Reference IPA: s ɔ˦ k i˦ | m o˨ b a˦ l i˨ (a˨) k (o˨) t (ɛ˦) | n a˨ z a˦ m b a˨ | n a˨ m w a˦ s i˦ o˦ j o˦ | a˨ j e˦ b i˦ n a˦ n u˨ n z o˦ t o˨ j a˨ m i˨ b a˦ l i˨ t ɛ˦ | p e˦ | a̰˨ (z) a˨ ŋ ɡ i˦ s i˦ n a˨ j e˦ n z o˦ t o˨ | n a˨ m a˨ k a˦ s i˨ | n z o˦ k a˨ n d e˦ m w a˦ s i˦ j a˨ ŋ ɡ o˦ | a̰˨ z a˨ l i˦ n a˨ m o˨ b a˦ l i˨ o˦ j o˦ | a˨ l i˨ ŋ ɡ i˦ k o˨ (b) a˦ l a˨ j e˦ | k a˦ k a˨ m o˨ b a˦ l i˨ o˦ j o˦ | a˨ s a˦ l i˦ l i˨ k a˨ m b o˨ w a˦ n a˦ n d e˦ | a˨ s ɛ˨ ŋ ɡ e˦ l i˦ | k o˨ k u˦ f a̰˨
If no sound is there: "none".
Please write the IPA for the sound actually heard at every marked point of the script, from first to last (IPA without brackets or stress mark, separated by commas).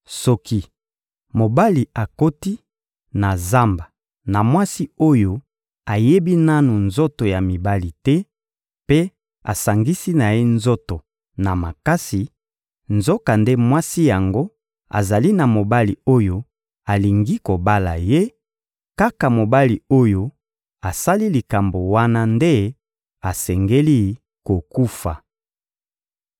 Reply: a˨, o˦, i˦, s, b